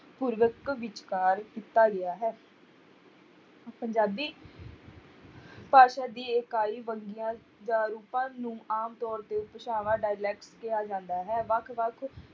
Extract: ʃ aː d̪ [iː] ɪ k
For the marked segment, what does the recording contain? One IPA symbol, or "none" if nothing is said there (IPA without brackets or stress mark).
iː